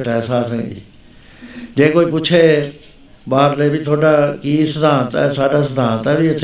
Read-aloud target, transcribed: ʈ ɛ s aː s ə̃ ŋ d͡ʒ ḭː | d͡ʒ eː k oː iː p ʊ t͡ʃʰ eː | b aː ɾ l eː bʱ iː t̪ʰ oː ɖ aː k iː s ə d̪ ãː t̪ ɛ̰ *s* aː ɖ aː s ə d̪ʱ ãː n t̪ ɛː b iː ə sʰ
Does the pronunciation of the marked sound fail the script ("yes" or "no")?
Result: no